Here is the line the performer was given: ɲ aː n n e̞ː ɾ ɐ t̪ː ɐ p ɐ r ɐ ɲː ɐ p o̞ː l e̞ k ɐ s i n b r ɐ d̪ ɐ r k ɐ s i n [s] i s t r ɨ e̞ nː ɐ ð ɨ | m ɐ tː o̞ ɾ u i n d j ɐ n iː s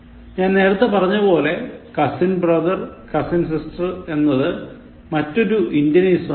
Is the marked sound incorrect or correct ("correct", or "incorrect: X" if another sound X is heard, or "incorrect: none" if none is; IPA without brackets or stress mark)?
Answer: correct